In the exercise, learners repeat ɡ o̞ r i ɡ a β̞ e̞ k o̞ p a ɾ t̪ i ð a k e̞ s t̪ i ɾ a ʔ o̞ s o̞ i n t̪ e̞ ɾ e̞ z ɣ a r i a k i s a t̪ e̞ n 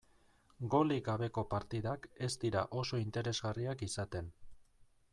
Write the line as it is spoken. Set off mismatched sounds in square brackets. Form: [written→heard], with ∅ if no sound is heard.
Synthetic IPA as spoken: ɡ o̞ [r→l] i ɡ a β̞ e̞ k o̞ p a ɾ t̪ i ð a k e̞ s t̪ i ɾ a ʔ o̞ s o̞ i n t̪ e̞ ɾ e̞ z ɣ a r i a k i s a t̪ e̞ n